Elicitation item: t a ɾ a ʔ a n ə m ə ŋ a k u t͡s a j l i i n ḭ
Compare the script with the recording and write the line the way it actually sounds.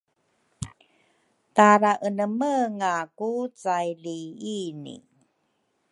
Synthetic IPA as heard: t a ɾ a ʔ ə n ə m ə ŋ a k u t͡s a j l i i n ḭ